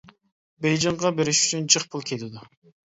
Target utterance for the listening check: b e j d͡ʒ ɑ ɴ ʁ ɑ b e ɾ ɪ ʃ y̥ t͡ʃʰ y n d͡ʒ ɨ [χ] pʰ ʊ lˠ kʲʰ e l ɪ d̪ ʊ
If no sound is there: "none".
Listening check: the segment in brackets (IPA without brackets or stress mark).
χ